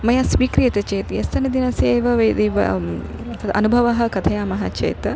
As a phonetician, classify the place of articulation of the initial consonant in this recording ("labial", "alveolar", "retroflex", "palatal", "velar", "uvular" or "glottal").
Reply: labial